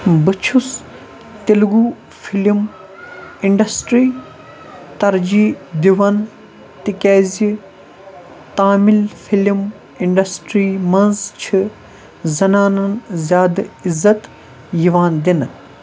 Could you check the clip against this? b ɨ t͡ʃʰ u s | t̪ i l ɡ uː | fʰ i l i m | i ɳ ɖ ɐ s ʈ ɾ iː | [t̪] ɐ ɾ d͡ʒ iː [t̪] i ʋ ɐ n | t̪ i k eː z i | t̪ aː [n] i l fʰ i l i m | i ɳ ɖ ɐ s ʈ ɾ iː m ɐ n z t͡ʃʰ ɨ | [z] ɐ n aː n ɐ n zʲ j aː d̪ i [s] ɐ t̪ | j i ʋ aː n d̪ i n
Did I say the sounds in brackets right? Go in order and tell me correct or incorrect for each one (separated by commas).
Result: correct, incorrect, incorrect, correct, incorrect